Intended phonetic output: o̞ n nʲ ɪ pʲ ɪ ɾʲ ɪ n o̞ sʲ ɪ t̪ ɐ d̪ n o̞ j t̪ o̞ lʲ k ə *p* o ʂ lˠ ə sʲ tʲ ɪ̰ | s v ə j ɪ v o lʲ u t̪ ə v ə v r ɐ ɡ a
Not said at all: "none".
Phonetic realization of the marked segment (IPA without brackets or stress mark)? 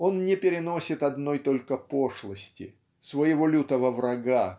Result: p